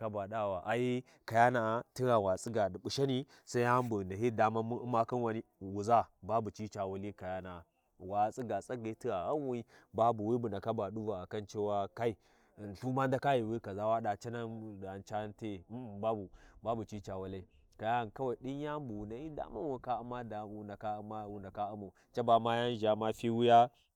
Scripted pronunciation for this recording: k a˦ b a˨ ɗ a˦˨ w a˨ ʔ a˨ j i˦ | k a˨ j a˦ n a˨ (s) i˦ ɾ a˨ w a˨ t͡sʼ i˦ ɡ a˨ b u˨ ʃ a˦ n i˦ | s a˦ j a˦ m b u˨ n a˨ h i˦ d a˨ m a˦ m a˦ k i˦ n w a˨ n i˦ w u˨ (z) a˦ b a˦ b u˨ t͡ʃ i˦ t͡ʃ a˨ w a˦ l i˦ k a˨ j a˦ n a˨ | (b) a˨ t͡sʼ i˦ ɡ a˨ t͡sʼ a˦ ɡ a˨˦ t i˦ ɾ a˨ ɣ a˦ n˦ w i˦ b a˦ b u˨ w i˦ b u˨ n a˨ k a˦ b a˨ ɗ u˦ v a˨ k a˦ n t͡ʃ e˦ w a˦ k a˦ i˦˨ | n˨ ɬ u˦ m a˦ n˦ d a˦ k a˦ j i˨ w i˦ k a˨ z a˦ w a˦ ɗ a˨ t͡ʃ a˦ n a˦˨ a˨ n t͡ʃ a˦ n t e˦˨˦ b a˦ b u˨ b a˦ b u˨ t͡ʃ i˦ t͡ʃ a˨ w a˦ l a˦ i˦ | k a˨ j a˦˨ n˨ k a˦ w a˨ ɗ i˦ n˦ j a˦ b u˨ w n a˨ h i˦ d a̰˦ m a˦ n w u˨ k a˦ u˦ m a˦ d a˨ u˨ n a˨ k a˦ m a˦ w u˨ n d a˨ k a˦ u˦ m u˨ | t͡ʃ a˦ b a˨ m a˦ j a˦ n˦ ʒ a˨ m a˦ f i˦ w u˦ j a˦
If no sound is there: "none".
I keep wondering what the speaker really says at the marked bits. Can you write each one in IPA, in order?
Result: t, z, w

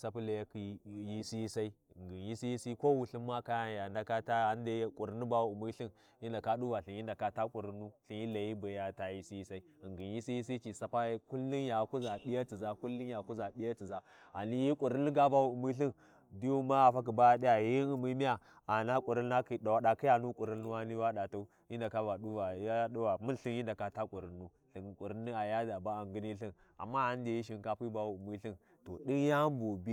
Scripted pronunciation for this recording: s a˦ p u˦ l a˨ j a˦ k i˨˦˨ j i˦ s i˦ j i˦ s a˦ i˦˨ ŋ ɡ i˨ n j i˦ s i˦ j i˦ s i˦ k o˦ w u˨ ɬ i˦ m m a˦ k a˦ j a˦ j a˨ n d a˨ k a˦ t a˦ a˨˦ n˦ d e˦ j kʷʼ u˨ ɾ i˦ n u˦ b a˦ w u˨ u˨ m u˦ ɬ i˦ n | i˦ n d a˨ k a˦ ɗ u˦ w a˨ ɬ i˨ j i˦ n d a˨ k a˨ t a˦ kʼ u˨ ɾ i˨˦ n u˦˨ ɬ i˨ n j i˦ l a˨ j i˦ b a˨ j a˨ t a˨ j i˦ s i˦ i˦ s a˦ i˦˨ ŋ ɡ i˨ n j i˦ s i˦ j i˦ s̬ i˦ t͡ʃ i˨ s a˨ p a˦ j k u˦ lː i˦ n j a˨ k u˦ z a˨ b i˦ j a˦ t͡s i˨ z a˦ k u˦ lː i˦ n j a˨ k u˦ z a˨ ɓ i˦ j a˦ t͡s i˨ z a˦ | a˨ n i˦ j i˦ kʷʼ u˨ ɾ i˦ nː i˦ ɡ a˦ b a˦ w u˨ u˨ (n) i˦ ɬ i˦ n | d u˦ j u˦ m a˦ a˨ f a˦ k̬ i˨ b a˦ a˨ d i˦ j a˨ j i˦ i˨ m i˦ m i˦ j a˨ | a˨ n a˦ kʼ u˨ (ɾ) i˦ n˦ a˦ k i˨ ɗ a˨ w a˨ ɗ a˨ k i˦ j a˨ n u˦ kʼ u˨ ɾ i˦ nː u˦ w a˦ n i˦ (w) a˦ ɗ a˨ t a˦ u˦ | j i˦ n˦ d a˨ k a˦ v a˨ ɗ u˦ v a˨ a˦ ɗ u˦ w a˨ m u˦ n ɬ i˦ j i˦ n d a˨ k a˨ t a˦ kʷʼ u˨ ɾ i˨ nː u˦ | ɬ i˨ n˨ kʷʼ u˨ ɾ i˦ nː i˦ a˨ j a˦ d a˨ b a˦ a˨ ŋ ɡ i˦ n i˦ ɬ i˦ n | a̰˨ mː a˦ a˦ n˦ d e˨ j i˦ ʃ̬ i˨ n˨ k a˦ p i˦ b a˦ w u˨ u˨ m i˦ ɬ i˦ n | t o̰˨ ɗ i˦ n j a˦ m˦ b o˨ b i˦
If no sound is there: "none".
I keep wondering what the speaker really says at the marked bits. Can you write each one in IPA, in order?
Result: m, ɾ, w

